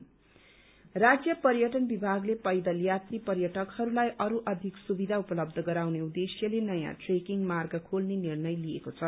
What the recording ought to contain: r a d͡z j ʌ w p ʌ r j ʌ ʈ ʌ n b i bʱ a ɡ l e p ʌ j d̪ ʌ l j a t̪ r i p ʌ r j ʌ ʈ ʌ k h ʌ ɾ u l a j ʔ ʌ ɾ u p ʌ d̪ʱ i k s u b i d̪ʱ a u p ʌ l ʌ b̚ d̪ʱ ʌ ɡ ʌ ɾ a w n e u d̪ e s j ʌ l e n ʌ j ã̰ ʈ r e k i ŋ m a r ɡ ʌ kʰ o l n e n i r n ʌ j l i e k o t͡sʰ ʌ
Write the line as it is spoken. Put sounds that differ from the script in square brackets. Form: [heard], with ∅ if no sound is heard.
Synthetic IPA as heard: r a d͡z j ʌ [∅] p ʌ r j ʌ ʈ ʌ n b i bʱ a ɡ l e p ʌ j d̪ ʌ l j a t̪ r i p ʌ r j ʌ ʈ ʌ k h ʌ ɾ u l a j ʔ ʌ ɾ u [ʔ] ʌ d̪ʱ i k s u b i d̪ʱ a u p ʌ l ʌ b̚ d̪ʱ ʌ ɡ ʌ ɾ a w n e u d̪ e s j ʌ l e n ʌ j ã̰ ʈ r e k i ŋ m a r ɡ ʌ kʰ o l n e n i r n ʌ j l i e k o t͡sʰ ʌ

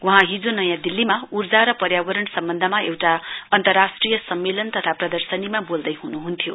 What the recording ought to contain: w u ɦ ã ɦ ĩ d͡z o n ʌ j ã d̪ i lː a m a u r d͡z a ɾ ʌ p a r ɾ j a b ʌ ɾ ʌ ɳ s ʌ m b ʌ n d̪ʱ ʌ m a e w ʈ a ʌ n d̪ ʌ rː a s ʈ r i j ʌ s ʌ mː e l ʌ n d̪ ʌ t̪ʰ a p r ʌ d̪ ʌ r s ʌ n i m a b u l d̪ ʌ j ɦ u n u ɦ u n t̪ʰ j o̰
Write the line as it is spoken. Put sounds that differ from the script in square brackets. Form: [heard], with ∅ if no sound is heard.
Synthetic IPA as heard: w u ɦ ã ɦ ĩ d͡z o n ʌ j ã d̪ i lː [i] m a u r d͡z a ɾ ʌ p [ʌ] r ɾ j a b ʌ ɾ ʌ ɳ s ʌ m b ʌ n d̪ʱ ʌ m a e w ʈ a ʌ n [t̪] ʌ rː a s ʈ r i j ʌ s ʌ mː e l ʌ n [t̪] ʌ t̪ʰ a p r ʌ d̪ ʌ r s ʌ n i m a b [o] l d̪ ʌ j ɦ u n u ɦ u n t̪ʰ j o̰

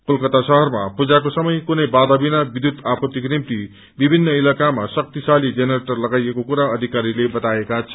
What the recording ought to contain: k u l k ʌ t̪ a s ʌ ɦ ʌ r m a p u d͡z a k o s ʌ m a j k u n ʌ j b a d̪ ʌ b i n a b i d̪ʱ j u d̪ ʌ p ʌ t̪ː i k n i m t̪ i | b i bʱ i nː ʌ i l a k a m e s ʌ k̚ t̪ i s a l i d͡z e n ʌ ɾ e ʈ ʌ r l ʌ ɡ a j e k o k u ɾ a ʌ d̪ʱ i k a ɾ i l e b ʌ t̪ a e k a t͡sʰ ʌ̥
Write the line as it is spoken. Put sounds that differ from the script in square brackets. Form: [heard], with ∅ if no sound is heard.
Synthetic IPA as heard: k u l k ʌ t̪ a s ʌ ɦ ʌ r m a p u d͡z a k o s ʌ m [ʌ] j k u n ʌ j b a d̪ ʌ b i n a b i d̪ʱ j u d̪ [a] p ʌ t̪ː i k n i m t̪ i | b i bʱ i nː ʌ i l a k a m [a] s ʌ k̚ t̪ i s a l i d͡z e n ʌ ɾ e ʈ ʌ r l ʌ ɡ a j e k o k u ɾ a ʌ d̪ʱ i k a ɾ i l e b ʌ t̪ a e k a t͡sʰ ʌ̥

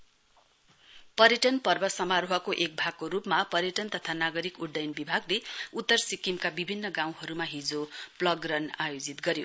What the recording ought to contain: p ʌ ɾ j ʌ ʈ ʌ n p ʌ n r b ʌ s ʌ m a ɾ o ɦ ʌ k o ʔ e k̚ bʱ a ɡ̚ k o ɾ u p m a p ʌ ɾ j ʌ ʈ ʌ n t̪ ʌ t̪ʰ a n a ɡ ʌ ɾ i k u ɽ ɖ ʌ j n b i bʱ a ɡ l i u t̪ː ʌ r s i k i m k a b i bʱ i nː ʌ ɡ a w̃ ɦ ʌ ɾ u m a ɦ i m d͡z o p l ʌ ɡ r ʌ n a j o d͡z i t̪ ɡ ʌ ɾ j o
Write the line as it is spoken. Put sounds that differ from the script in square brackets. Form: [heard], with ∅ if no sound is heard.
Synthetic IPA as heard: p ʌ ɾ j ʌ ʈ ʌ n p ʌ [∅] r b ʌ s ʌ m a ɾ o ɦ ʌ k o ʔ e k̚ bʱ a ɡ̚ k o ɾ u p m a p ʌ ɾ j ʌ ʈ ʌ n t̪ ʌ t̪ʰ a n a ɡ ʌ ɾ i k u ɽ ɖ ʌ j n b i bʱ a ɡ l [e] u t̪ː ʌ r s i k i m k a b i bʱ i nː ʌ ɡ a w̃ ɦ ʌ ɾ u m a ɦ i [∅] d͡z o p l ʌ ɡ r ʌ n a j o d͡z i t̪ ɡ ʌ ɾ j o

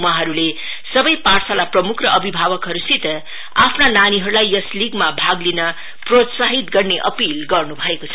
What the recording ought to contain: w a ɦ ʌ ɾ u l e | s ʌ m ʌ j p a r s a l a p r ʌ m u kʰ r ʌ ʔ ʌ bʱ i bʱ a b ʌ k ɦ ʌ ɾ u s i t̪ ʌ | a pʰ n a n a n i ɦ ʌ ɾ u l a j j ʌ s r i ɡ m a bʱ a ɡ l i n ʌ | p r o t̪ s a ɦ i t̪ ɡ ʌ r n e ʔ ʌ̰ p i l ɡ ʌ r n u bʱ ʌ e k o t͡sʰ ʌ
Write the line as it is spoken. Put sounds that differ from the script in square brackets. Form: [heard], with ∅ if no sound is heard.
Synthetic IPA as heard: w a ɦ ʌ ɾ u l e | s ʌ [b] ʌ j p a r s a l a p r ʌ m u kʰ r ʌ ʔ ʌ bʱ i bʱ a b ʌ k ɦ ʌ ɾ u s i t̪ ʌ | a pʰ n a n a n i ɦ ʌ ɾ u l a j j ʌ s [l] i ɡ m a bʱ a ɡ l i n ʌ | p r o t̪ s a ɦ i t̪ ɡ ʌ r n e ʔ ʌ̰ p i l ɡ ʌ r n u bʱ ʌ e k o t͡sʰ ʌ

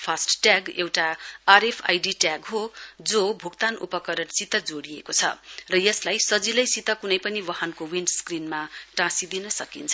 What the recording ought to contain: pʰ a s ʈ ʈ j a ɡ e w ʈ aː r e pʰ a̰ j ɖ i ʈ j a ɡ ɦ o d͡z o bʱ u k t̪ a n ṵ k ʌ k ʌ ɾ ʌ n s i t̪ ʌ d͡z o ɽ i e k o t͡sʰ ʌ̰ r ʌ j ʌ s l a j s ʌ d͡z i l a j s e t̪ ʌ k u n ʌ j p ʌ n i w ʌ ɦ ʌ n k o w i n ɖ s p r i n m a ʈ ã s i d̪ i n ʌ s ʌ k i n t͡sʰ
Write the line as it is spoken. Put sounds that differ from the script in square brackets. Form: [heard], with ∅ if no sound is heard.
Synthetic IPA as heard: pʰ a s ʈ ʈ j a ɡ e w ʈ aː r e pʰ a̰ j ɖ i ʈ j a ɡ ɦ o d͡z o bʱ u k t̪ a n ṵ [p] ʌ k ʌ ɾ ʌ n s i t̪ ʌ d͡z o ɽ i e k o t͡sʰ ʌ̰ r ʌ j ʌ s l a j s ʌ d͡z i l [ʌ] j s [i] t̪ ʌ k u n ʌ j p ʌ n i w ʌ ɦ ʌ n k o w i n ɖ s [k] r i n m a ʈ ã s i d̪ i n ʌ s ʌ k i n t͡sʰ

